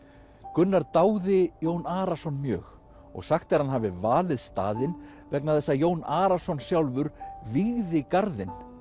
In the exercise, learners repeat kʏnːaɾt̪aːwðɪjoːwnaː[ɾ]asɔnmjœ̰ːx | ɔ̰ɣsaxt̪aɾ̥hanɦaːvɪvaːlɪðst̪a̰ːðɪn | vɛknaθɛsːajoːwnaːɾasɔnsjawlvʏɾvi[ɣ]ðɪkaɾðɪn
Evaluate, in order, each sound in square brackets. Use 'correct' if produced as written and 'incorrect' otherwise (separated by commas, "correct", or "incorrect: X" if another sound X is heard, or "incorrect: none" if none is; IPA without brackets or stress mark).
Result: correct, correct